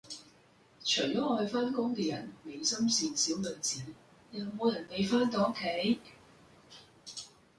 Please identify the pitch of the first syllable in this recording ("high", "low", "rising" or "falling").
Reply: low